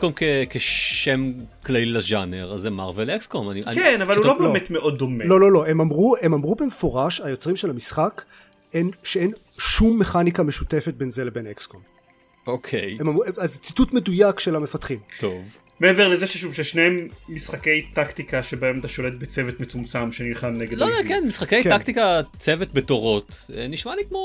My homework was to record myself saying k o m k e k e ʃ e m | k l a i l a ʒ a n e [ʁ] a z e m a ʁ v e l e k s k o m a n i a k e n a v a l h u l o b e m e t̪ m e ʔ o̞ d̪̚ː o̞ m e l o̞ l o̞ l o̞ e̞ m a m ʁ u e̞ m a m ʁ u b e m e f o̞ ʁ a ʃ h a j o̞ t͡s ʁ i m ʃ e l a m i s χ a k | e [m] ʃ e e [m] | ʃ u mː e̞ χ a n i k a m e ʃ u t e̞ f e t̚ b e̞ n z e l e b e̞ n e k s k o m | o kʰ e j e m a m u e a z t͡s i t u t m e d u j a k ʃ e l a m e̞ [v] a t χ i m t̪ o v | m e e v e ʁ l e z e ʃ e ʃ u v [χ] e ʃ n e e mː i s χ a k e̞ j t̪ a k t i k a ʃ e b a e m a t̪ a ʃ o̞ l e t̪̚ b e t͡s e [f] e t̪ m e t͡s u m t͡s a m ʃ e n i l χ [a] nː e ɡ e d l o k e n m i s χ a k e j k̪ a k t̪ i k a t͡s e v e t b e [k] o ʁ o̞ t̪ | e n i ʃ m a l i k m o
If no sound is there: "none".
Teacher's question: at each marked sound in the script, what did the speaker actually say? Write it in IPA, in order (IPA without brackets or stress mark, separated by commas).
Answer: ʁ, n, n, f, ʃ, v, a, t